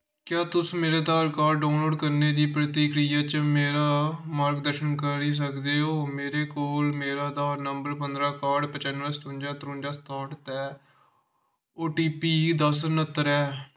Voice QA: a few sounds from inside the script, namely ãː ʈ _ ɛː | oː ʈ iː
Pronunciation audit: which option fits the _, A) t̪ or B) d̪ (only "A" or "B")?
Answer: A